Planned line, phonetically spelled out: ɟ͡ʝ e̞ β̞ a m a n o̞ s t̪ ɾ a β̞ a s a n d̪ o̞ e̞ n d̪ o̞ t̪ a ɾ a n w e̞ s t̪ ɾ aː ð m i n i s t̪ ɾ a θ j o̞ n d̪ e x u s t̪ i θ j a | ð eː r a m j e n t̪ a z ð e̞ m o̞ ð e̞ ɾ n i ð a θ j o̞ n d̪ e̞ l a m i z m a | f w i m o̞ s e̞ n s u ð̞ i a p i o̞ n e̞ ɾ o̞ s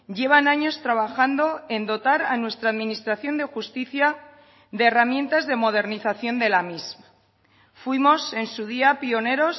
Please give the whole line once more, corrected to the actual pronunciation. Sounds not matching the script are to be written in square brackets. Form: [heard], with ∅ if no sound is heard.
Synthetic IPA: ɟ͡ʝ e̞ β̞ a [n] a [ɲ] o̞ s t̪ ɾ a β̞ a [x] a n d̪ o̞ e̞ n d̪ o̞ t̪ a ɾ a n w e̞ s t̪ ɾ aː ð m i n i s t̪ ɾ a θ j o̞ n d̪ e x u s t̪ i θ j a | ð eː r a m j e n t̪ a z ð e̞ m o̞ ð e̞ ɾ n i [θ] a θ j o̞ n d̪ e̞ l a m i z m a | f w i m o̞ s e̞ n s u ð̞ i a p i o̞ n e̞ ɾ o̞ s